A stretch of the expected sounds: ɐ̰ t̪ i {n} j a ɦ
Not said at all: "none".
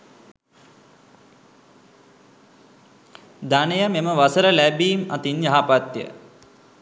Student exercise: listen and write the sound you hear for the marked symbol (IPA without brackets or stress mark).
n